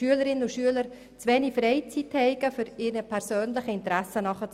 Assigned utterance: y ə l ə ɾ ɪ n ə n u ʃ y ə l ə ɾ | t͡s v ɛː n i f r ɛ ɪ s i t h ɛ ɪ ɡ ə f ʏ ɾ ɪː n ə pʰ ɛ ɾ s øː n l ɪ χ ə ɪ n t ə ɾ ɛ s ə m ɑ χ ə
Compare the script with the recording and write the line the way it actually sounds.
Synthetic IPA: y ə l ə ɾ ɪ n ə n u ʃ y ə l ə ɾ | t͡s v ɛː n i f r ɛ ɪ t͡s i t h ɛ ɪ ɡ ə f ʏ ɾ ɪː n ə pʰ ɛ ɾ s øː n l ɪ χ ə ɪ n t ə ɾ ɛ s ə n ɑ χ ə

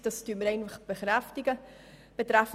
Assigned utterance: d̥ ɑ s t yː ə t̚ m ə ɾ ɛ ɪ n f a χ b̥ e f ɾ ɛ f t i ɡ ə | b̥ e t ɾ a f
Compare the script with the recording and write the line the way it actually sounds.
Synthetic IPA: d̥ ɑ s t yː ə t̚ m ə ɾ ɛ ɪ n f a χ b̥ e χ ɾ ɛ f t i ɡ ə | b̥ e t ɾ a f

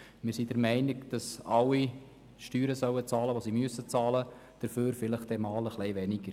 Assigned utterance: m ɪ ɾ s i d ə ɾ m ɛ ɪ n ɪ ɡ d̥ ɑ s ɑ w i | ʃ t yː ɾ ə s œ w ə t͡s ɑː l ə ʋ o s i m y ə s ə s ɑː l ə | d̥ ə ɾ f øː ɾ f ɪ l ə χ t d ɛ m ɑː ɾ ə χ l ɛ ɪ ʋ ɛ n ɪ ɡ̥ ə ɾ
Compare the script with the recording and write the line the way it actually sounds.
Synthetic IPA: m ɪ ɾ s i d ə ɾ m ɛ ɪ n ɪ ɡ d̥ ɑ s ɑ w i | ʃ t yː ɾ ə s œ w ə t͡s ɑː l ə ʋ o s i m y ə s ə t͡s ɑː l ə | d̥ ə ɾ f øː ɾ f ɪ l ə χ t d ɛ m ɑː l ə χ l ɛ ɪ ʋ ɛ n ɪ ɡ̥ ə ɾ

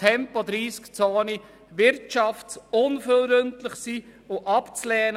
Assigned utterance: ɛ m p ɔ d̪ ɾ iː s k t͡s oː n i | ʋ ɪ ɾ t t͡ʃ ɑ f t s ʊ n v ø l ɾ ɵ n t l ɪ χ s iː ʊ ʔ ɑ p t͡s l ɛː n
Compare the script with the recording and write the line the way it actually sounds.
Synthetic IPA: ɛ m p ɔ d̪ ɾ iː s k t͡s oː n i | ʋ ɪ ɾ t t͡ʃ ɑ f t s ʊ n f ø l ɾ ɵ n t l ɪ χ s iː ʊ ʔ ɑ p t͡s l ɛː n

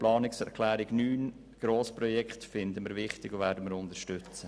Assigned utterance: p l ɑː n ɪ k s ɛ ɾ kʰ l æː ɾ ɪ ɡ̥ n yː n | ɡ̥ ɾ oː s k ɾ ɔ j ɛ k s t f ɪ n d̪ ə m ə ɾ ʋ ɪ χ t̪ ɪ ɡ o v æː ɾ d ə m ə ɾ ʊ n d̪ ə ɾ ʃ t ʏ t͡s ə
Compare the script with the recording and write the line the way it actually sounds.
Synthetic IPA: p l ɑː n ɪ k s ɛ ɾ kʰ l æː ɾ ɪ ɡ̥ n yː n | ɡ̥ ɾ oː s p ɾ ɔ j ɛ k χ t f ɪ n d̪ ə m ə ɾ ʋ ɪ χ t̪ ɪ ɡ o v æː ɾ d ə m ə ɾ ʊ n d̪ ə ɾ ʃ t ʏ t͡s ə

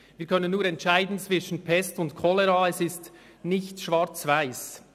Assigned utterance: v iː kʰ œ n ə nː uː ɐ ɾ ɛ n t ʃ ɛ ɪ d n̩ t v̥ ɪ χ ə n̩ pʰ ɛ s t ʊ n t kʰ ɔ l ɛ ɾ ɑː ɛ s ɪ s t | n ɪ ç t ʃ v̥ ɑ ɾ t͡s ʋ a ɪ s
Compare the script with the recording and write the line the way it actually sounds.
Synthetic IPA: v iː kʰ œ n ə nː uː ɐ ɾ ɛ n t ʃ a ɪ d n̩ t͡s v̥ ɪ ʃ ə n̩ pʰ ɛ s t ʊ n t kʰ ɔ l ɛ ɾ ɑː ɛ s ɪ s t | n ɪ ç t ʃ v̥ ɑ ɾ t͡s v a ɪ s

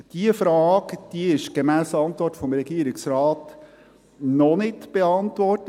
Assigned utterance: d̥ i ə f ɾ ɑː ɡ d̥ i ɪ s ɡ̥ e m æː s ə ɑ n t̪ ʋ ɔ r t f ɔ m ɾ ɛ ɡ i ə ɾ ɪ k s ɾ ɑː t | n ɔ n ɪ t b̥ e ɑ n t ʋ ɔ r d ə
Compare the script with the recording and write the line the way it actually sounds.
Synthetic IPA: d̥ i ə f ɾ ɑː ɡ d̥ i ɪ ʃ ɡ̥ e m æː s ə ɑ n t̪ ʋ ɔ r t f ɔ m ɾ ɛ ɡ i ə ɾ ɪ k s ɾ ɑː t | n ɔ n ɪ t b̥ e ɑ n t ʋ ɔ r t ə

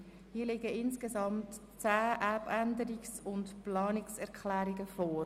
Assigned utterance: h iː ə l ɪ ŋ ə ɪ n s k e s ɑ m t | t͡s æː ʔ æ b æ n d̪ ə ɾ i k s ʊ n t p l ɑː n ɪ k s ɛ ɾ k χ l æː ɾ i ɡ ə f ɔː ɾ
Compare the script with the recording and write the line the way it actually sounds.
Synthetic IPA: h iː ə l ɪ ɡ ə ɪ n s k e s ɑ m t | t͡s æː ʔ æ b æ n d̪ ə ɾ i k s ʊ n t p l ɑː n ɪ k s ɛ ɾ k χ l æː ɾ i ɡ ə f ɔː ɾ

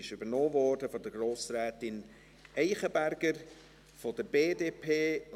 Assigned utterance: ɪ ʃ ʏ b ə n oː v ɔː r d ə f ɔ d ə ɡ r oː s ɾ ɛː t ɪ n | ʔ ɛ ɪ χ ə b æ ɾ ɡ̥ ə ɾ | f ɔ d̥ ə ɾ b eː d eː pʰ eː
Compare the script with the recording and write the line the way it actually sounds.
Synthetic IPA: ɪ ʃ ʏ b ə n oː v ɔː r d ə f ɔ d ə ɡ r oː s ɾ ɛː t ɪ n | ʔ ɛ ɪ χ ə b æ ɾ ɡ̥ ə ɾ | f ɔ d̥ ə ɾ b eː d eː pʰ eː

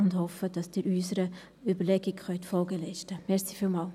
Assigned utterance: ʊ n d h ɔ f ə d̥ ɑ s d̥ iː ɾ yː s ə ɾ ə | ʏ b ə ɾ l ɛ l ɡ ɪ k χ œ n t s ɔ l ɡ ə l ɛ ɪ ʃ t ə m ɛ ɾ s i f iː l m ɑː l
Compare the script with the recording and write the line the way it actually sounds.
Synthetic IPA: ʊ n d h ɔ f ə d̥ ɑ s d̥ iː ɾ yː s ə ɾ ə | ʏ b ə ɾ l ɛ ɡ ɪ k χ œ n t f ɔ l ɡ ə l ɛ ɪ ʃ t ə m ɛ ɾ s i f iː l m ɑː l

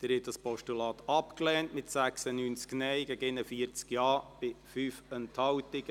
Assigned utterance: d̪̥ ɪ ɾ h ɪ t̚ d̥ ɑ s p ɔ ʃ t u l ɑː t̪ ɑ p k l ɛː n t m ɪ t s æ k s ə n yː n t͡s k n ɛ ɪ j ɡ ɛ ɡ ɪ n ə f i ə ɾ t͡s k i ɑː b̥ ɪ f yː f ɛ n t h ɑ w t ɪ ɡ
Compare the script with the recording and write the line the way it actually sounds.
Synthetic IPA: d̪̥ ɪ ɾ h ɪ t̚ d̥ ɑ s p ɔ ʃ t u l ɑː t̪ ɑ p k l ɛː n t m ɪ t s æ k s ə n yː n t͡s k n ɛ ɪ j ɡ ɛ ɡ ɪ n ə f i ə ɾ t͡s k j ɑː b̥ ɪ f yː f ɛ n t h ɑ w t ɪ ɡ

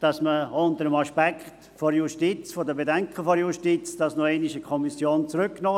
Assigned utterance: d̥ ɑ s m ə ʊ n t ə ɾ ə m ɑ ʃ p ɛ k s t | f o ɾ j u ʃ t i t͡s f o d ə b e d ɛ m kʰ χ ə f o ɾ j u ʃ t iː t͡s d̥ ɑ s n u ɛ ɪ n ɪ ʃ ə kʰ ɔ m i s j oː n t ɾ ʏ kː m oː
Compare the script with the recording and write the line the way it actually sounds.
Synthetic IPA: d̥ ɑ s m ə ʊ n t ə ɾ ə m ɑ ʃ p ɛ k χ t | f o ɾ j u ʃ t i t͡s f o d ə b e d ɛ ŋ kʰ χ ə f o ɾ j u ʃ t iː t͡s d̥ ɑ s n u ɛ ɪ n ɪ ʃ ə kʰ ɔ m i s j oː n t͡s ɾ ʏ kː n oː

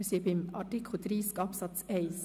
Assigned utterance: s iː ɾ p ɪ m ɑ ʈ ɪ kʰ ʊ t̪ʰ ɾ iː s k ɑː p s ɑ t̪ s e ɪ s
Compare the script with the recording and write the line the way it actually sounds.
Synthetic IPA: s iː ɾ p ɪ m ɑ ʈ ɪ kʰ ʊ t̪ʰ ɾ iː s k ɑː p s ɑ t̪ s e ɪ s

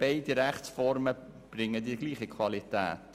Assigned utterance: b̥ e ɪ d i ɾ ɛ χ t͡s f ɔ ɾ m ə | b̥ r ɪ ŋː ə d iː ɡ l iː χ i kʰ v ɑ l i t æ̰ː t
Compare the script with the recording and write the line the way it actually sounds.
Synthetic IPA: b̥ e ɪ d i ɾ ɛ χ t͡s f ɔ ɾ m ə | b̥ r ɪ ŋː ə d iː ɡ l iː χ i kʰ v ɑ l i t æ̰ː t

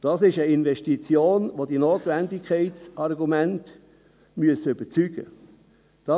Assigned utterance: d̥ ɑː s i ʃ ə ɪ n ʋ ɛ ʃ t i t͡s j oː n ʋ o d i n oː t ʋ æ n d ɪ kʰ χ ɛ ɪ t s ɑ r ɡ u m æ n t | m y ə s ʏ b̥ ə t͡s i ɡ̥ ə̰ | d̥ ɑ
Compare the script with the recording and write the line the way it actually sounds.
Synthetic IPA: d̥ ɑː s ɪ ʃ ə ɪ n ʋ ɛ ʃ t i t͡s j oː n ʋ o d i n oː t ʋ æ n d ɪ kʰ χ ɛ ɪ t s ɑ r ɡ u m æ n t | m y ə s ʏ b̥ ə t͡s y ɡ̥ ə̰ | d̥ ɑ

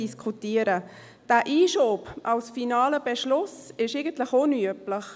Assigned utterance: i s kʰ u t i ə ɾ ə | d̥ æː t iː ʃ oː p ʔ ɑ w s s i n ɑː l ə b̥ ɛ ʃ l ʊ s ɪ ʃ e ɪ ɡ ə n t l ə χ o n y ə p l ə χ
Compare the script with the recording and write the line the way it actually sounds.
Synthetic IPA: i s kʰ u t i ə ɾ ə | d̥ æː ʔ iː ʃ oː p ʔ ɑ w s f i n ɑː l ə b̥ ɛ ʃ l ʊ s ɪ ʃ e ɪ ɡ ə n t l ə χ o n y ə p l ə χ

